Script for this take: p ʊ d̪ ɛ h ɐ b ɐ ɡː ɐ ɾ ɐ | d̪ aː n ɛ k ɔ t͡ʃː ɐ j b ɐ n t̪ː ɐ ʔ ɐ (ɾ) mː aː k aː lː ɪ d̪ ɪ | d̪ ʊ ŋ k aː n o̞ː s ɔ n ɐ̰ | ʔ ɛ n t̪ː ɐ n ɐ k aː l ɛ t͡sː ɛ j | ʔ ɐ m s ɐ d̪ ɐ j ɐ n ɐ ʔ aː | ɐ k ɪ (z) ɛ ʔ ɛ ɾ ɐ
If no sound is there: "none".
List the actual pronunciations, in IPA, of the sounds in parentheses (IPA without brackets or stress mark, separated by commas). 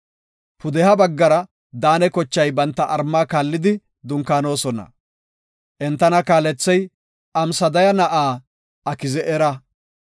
ɾ, z